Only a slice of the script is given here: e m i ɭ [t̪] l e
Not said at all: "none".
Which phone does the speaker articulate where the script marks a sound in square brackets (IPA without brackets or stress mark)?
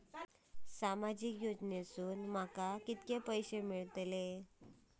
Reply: t̪